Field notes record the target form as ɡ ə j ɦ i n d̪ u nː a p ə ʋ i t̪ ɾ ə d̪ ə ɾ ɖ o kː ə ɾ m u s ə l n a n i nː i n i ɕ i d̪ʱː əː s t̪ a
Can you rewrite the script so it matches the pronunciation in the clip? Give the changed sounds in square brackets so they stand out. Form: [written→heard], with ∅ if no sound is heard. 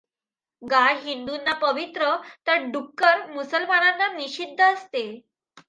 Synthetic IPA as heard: ɡ [ə→a] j ɦ i n d̪ u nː a p ə ʋ i t̪ ɾ ə [d̪→t̪] ə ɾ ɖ [o→u] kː ə ɾ m u s ə l [n→m] a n [i→a] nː [i→a] n i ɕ i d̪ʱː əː s t̪ [a→e]